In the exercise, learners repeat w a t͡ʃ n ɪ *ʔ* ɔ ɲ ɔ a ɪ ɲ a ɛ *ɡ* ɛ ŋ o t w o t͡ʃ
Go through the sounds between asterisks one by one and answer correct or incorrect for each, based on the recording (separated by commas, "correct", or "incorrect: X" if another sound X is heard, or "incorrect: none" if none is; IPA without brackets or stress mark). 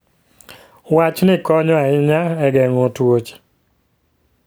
incorrect: k, correct